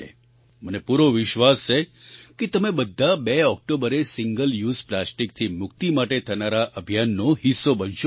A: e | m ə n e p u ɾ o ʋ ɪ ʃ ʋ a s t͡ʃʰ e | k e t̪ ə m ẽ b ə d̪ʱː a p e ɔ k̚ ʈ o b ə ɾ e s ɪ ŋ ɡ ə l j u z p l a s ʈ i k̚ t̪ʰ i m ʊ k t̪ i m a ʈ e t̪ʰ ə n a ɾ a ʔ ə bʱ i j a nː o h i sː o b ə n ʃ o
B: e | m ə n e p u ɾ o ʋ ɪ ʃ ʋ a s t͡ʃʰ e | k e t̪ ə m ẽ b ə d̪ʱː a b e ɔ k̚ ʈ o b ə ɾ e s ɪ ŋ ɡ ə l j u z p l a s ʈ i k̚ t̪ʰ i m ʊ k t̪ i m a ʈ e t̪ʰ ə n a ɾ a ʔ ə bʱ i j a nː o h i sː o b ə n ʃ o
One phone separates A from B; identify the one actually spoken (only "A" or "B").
B